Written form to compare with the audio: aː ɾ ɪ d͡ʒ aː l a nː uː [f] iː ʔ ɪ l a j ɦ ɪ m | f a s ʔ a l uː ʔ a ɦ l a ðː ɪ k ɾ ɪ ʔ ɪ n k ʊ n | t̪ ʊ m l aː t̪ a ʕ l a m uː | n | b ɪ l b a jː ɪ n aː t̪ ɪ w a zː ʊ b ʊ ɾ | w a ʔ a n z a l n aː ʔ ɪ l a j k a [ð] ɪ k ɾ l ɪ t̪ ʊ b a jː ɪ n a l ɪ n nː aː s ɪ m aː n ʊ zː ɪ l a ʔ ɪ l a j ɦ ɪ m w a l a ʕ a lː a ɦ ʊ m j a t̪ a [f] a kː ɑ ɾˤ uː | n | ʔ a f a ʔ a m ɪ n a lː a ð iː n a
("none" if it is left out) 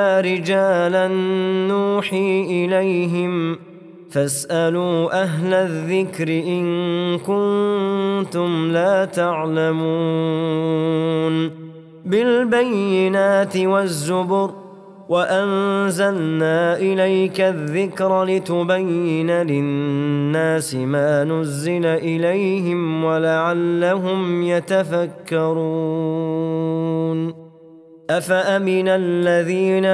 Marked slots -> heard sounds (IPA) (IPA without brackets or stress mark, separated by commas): ħ, ðː, f